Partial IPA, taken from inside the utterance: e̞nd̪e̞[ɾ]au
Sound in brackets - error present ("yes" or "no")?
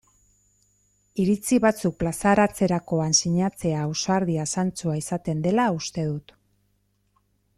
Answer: yes